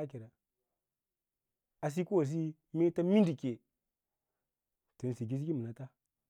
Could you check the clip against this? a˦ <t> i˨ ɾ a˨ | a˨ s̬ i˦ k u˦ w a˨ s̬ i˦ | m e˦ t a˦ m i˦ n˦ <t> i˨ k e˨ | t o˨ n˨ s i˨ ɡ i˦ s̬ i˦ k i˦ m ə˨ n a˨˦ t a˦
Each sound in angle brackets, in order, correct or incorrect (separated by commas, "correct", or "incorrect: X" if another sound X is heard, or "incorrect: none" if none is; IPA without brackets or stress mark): incorrect: k, incorrect: d